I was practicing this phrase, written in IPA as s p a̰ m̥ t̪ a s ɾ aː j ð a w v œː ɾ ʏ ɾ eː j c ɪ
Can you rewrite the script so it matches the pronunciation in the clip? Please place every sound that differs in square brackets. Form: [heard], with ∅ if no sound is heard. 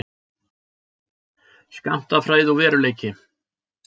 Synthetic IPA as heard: s [k] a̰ m̥ t̪ a [f] ɾ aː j ð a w v [ɛː] ɾ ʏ [l] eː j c ɪ